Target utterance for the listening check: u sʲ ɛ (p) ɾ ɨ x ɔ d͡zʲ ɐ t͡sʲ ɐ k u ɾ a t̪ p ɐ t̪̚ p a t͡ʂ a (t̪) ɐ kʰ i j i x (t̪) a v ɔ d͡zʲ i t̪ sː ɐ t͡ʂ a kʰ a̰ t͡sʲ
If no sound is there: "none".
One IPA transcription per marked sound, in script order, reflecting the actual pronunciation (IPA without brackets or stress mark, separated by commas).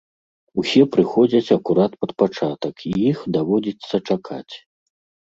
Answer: p, t̪, d̪